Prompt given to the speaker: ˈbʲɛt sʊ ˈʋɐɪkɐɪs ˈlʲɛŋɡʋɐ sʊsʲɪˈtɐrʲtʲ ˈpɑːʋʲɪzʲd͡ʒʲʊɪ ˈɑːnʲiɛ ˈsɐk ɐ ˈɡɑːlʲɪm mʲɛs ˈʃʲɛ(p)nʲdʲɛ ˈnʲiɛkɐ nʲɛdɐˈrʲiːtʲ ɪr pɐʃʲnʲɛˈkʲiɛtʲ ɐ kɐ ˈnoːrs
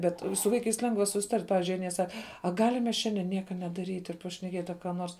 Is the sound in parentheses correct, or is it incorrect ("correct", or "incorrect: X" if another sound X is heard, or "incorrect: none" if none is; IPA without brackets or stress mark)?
incorrect: none